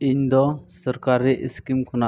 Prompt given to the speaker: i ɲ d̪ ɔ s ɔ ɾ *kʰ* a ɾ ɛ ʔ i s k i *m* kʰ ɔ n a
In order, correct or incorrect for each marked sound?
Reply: incorrect, correct

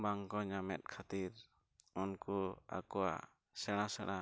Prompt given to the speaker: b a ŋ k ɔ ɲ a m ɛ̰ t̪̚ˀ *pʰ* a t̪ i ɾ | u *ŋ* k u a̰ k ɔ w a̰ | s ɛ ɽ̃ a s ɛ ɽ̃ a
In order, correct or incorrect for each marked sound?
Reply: incorrect, incorrect

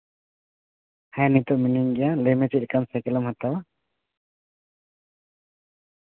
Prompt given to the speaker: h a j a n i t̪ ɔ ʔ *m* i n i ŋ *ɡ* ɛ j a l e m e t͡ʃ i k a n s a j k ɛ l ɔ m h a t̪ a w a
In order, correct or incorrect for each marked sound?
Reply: correct, correct

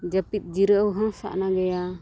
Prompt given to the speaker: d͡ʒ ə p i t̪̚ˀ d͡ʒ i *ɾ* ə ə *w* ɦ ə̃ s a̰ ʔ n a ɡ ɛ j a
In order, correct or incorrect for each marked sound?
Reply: correct, correct

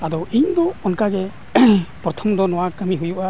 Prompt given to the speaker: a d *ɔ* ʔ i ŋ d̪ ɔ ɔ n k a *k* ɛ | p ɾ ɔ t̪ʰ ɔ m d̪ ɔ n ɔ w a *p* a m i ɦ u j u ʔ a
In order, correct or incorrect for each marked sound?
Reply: correct, incorrect, incorrect

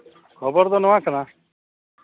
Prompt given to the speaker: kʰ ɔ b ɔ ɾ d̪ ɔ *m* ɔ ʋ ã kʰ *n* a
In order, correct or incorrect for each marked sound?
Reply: incorrect, correct

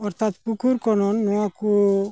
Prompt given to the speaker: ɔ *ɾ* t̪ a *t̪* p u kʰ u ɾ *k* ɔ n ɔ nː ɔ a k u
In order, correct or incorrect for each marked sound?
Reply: correct, correct, correct

